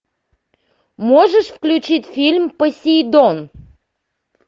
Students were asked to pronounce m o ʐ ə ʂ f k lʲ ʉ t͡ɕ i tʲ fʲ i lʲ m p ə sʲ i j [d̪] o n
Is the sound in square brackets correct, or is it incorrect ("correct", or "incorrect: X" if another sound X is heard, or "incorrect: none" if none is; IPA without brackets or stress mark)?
correct